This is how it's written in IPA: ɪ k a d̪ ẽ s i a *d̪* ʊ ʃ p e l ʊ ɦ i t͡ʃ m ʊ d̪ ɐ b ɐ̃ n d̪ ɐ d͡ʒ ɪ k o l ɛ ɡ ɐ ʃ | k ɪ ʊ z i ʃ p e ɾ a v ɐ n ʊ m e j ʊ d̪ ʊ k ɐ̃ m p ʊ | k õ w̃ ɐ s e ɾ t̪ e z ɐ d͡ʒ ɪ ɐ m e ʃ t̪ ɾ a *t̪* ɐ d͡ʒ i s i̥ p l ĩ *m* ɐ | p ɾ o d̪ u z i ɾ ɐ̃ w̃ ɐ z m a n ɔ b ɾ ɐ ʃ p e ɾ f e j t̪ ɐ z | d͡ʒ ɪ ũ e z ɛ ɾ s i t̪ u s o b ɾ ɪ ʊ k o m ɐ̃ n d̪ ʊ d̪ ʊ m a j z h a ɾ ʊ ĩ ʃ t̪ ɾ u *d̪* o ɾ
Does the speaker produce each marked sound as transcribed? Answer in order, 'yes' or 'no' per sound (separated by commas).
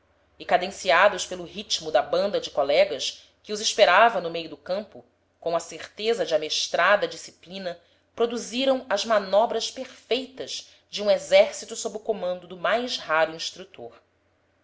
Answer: yes, no, no, no